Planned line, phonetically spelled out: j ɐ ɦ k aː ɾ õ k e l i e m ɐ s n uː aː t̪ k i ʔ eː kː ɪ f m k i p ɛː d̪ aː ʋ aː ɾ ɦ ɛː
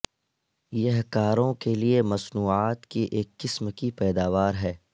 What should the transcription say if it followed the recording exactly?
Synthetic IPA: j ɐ ɦ k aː ɾ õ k e l i e m ɐ s n uː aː t̪ k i ʔ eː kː ɪ s m k i p ɛː d̪ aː ʋ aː ɾ ɦ ɛː